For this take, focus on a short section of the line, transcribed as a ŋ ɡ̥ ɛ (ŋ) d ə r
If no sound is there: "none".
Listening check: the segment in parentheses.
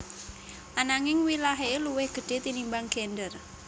n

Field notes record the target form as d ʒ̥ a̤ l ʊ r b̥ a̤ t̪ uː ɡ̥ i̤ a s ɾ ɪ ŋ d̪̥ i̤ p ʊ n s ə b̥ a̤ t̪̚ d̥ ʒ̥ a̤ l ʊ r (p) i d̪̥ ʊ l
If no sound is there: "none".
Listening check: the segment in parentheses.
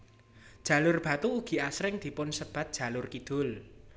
k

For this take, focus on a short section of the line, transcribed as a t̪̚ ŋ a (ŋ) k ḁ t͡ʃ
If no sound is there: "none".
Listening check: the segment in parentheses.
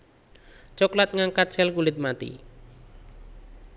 ŋ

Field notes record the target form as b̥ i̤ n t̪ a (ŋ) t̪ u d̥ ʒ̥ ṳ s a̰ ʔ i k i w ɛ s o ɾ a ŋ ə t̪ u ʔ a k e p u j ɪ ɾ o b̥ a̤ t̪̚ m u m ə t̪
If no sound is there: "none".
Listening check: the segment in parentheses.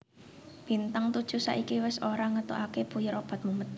ŋ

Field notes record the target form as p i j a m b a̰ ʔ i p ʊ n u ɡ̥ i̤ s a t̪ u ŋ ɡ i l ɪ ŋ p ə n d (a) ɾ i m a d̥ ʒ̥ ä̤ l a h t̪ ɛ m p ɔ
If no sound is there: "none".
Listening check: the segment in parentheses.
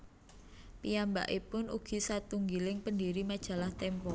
i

